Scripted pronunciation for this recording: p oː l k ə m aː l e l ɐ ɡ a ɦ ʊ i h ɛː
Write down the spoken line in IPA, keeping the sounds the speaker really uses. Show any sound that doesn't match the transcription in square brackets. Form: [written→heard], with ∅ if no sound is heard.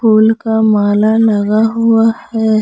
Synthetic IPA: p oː l k [ə→a] m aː l [e→a] l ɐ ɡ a ɦ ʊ [i→a] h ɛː